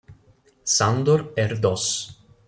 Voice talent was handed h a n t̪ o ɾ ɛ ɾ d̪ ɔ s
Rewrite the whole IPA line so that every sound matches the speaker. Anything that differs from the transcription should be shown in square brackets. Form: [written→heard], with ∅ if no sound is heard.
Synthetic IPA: [h→s] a n [t̪→d̪] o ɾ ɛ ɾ d̪ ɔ s